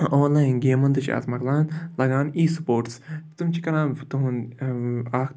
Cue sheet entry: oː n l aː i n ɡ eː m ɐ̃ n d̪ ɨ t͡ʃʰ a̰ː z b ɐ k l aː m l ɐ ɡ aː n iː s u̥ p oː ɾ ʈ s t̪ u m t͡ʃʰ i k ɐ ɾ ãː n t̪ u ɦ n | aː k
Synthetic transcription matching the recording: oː n l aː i n ɡ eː m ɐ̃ n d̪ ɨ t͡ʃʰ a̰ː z m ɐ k l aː n l ɐ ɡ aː n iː s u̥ p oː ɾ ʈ s t̪ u m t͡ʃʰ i k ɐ ɾ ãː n t̪ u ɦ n | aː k